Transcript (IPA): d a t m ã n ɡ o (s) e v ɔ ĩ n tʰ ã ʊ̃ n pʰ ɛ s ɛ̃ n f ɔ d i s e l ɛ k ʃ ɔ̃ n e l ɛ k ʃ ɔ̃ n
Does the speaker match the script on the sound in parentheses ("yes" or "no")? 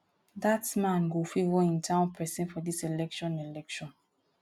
no